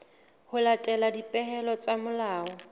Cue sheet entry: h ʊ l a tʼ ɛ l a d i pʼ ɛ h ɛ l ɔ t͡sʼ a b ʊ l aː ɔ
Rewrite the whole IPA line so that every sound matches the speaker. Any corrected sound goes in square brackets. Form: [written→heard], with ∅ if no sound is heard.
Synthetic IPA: h ʊ l a tʼ ɛ l a d i pʼ ɛ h ɛ l ɔ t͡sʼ a [b→m] ʊ l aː ɔ